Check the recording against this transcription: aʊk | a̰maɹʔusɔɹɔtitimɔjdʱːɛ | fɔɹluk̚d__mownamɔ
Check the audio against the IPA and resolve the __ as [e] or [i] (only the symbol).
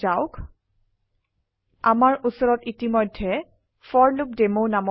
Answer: e